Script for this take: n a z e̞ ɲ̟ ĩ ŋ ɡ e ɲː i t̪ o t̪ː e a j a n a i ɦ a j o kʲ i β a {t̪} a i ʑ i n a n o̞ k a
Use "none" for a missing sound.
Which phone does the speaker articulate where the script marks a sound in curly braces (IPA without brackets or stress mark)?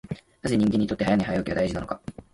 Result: d̪